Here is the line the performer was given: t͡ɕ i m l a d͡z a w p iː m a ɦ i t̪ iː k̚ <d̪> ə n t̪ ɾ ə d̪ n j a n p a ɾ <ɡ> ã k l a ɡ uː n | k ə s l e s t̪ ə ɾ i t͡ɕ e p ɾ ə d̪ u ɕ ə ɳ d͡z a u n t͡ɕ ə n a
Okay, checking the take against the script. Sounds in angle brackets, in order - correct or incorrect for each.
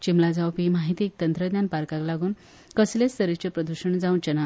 incorrect: t̪, incorrect: k

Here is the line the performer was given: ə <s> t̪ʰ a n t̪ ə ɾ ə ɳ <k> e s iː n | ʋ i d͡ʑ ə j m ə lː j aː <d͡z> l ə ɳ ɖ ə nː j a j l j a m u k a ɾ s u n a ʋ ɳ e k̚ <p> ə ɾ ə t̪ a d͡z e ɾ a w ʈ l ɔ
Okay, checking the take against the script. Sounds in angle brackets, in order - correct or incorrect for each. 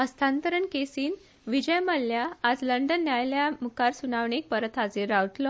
correct, correct, correct, correct

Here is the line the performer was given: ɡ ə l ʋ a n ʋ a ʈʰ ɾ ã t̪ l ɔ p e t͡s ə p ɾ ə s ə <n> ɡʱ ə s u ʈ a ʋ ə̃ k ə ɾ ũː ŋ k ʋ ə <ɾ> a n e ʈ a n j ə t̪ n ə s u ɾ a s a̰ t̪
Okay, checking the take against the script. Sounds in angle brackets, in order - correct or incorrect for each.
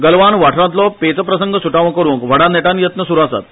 incorrect: ŋ, incorrect: ɽ

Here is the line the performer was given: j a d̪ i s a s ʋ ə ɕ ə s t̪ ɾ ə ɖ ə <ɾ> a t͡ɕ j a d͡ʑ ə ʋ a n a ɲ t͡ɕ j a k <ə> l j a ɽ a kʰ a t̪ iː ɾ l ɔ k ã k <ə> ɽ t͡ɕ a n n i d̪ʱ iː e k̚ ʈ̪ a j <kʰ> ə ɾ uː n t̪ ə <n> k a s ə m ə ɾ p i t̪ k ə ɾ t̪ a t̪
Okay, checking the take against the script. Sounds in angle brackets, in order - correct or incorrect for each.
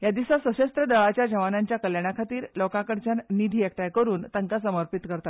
incorrect: ɭ, correct, correct, incorrect: k, incorrect: ŋ

